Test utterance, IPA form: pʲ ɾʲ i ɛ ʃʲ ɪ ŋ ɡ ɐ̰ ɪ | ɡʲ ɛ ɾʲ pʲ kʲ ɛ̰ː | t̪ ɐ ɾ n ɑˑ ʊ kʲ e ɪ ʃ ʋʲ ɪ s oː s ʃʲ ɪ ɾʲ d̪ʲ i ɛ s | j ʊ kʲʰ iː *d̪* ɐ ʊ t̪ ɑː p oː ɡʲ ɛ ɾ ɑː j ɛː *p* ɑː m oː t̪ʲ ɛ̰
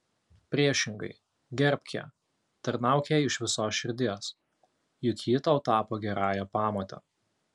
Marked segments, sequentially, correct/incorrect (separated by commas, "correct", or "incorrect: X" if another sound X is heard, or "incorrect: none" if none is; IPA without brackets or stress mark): incorrect: t̪, correct